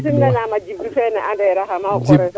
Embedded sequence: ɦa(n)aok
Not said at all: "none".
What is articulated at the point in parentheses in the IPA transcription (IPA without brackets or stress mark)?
m